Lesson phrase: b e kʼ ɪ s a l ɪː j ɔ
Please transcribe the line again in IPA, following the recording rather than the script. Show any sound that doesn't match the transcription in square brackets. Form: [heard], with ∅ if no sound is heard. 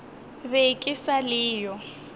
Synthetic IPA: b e kʼ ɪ s a l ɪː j ɔ